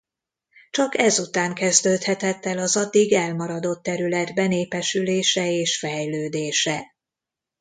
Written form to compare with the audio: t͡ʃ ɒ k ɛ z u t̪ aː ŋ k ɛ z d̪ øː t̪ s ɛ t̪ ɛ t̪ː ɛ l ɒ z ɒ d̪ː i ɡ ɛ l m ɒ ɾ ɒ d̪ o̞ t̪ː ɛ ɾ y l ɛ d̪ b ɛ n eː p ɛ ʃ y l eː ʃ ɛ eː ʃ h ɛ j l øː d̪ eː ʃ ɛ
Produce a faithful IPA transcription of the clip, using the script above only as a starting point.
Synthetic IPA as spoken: t͡ʃ ɒ k ɛ z u t̪ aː ŋ k ɛ z d̪ øː t̪ h ɛ t̪ ɛ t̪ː ɛ l ɒ z ɒ d̪ː i ɡ ɛ l m ɒ ɾ ɒ d̪ o̞ t̪ː ɛ ɾ y l ɛ d̪ b ɛ n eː p ɛ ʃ y l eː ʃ ɛ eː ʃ f ɛ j l øː d̪ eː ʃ ɛ

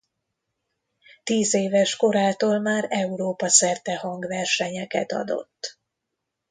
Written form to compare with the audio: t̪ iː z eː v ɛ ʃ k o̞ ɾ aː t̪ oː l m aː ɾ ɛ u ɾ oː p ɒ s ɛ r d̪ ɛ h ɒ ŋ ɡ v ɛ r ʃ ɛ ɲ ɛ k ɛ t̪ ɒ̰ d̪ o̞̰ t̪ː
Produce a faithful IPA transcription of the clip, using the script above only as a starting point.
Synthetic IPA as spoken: t̪ iː z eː v ɛ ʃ k o̞ ɾ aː t̪ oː l m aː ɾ ɛ u ɾ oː p ɒ s ɛ r t̪ ɛ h ɒ ŋ ɡ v ɛ r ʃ ɛ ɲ ɛ k ɛ t̪ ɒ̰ d̪ o̞̰ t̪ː

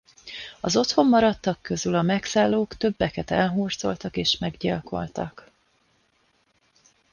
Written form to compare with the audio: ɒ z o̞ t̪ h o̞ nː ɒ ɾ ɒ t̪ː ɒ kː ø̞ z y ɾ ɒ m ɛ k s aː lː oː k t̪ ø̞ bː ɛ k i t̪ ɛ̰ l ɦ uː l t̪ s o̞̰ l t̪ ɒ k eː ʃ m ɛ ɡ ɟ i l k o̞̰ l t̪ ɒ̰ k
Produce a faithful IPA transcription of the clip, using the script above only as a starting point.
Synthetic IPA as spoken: ɒ z o̞ t̪ h o̞ mː ɒ ɾ ɒ t̪ː ɒ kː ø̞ z y l ɒ m ɛ k s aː lː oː k t̪ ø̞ bː ɛ k ɛ t̪ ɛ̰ l ɦ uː r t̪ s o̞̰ l t̪ ɒ k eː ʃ m ɛ ɡ ɟ i l k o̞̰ l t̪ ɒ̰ k

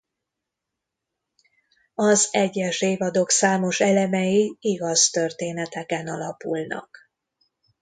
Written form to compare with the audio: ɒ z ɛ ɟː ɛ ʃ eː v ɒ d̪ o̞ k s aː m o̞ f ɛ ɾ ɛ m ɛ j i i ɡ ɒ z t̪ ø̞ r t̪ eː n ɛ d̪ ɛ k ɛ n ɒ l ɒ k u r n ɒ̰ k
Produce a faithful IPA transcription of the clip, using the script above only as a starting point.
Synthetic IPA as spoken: ɒ z ɛ ɟː ɛ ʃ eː v ɒ d̪ o̞ k s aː m o̞ ʃ ɛ l ɛ m ɛ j i i ɡ ɒ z t̪ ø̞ r t̪ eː n ɛ t̪ ɛ k ɛ n ɒ l ɒ p u l n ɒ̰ k

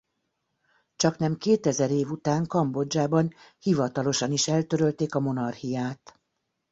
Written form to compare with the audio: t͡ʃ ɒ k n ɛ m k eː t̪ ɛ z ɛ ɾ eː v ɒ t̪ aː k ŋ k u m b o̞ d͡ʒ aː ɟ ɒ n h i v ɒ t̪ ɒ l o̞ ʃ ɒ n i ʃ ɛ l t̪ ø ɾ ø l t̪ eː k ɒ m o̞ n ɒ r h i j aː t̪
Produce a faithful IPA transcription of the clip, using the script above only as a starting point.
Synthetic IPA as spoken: t͡ʃ ɒ k n ɛ m k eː t̪ ɛ z ɛ ɾ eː v u t̪ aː ŋ k ɒ m b o̞ d͡ʒ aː b ɒ n h i v ɒ t̪ ɒ l o̞ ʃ ɒ n i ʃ ɛ l t̪ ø ɾ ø l t̪ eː k ɒ m o̞ n ɒ r h i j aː t̪

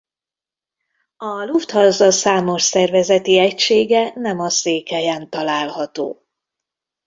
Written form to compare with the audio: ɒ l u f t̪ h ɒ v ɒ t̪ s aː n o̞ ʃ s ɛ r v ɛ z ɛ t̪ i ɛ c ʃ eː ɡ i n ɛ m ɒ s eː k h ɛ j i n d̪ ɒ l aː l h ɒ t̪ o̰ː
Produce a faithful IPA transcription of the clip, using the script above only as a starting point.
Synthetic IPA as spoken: ɒ l u f t̪ h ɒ z ɒ s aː m o̞ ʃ s ɛ r v ɛ z ɛ t̪ i ɛ c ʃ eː ɡ ɛ n ɛ m ɒ s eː k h ɛ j ɛ n t̪ ɒ l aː l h ɒ t̪ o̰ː

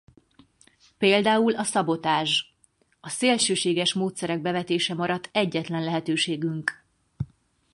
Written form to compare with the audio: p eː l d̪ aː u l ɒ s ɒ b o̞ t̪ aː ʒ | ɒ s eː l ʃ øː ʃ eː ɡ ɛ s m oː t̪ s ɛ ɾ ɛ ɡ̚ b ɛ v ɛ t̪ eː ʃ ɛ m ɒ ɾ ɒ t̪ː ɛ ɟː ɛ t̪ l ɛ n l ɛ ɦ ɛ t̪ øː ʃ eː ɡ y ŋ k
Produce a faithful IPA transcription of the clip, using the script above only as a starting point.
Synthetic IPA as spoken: p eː l d̪ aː u l ɒ s ɒ b o̞ t̪ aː ʒ | ɒ s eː l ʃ øː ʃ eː ɡ ɛ ʃ m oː t̪ s ɛ ɾ ɛ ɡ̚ b ɛ v ɛ t̪ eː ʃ ɛ m ɒ ɾ ɒ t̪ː ɛ ɟː ɛ t̪ l ɛ n l ɛ ɦ ɛ t̪ øː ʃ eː ɡ y ŋ k

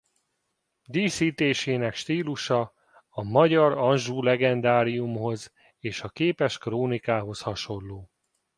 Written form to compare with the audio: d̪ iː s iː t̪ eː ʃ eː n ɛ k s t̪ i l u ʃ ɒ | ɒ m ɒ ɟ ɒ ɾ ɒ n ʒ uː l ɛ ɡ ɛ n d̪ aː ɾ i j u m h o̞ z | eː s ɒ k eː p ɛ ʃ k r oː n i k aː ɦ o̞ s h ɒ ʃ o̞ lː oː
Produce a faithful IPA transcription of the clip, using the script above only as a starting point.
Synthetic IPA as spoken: d̪ iː s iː t̪ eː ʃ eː n ɛ k ʃ t̪ iː l u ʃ ɒ | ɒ m ɒ ɟ ɒ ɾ ɒ n ʒ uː l ɛ ɡ ɛ n d̪ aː ɾ i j u m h o̞ z | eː ʃ ɒ k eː p ɛ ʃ k r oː n i k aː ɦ o̞ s h ɒ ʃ o̞ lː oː

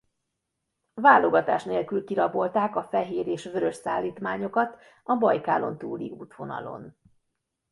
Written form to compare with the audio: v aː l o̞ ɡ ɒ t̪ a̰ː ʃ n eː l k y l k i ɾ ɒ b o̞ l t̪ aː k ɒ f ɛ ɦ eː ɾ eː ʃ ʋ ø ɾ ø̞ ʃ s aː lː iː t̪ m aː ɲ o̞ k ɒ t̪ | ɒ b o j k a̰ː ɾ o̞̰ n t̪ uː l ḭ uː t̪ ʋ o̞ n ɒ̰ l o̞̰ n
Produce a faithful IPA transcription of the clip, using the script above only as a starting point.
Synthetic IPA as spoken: v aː l o̞ ɡ ɒ t̪ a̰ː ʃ n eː l k y l k i ɾ ɒ b o̞ l t̪ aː k ɒ f ɛ ɦ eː ɾ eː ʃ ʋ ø ɾ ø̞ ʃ s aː lː iː t̪ m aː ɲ o̞ k ɒ t̪ | ɒ b ɒ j k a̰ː l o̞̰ n t̪ uː l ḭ uː t̪ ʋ o̞ n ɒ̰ l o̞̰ n

